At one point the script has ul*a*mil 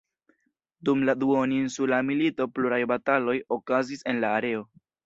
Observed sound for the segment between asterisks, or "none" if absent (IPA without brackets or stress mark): a